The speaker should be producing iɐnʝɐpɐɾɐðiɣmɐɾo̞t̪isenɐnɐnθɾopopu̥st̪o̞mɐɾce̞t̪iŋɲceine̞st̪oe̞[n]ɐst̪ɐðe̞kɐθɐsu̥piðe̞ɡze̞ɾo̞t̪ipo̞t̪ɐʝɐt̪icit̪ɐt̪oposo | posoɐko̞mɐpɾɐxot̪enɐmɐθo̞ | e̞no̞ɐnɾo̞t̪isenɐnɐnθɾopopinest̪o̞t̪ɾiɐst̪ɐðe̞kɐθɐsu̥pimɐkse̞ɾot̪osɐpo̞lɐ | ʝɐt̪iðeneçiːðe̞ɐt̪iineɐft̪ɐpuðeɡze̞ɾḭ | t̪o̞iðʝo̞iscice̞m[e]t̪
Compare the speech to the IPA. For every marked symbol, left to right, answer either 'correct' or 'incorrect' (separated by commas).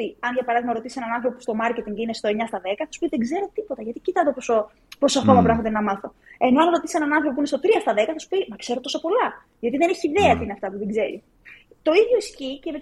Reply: incorrect, correct